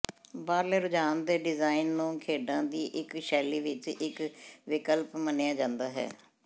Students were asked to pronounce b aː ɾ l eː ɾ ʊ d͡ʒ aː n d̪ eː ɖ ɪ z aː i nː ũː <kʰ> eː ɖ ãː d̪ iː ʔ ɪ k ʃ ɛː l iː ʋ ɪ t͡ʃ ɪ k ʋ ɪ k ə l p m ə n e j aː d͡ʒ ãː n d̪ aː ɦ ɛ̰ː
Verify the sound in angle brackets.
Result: correct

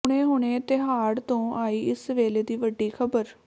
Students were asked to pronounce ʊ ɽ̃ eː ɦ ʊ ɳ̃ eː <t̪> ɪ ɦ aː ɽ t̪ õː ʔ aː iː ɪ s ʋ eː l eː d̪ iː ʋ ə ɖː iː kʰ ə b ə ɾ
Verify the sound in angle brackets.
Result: correct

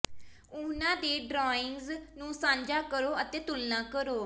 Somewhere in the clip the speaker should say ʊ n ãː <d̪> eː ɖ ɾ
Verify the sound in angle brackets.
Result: correct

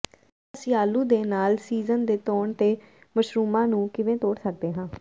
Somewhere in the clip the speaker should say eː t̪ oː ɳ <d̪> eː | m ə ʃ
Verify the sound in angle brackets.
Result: incorrect: t̪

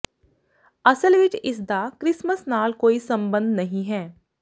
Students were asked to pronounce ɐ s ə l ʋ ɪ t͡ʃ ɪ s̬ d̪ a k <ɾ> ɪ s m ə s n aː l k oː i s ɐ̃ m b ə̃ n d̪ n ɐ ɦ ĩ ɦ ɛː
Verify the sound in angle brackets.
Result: correct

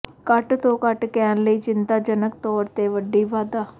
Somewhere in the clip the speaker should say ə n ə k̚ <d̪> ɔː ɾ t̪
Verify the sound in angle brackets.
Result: incorrect: t̪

